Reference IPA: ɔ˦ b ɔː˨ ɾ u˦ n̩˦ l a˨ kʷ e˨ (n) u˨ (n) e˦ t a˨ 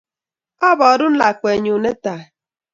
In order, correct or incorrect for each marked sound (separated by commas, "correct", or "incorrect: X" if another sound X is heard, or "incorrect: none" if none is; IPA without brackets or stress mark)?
incorrect: ɲ, correct